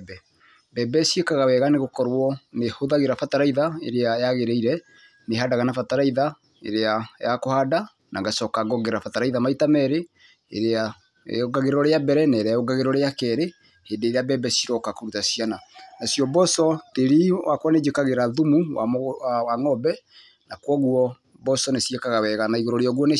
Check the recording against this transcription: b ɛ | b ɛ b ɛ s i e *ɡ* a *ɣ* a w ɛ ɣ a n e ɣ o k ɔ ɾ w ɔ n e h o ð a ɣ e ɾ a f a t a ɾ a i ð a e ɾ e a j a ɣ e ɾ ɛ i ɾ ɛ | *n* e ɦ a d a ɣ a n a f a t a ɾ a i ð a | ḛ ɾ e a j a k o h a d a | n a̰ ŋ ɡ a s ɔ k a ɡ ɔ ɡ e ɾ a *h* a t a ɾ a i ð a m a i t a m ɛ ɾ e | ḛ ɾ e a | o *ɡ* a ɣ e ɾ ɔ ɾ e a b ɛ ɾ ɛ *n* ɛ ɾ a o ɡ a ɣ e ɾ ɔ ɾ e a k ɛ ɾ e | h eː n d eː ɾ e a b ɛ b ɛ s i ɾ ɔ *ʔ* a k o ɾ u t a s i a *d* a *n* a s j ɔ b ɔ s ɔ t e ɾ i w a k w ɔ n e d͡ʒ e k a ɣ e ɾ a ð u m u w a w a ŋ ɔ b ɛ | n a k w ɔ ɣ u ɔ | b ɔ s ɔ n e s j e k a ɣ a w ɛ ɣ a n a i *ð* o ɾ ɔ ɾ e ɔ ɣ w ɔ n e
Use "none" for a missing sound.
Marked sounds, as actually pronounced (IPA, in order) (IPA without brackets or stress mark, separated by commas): k, ɣ, n, f, ɡ, n, k, n, n, ɣ